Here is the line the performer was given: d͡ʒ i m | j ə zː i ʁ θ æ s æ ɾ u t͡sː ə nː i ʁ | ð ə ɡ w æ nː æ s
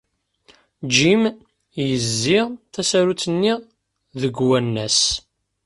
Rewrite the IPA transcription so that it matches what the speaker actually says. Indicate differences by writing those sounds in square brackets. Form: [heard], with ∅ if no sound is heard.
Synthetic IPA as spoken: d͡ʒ i m | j ə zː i ʁ θ æ s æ ɾ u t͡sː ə nː i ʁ | ð ə ɡ w æ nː æ s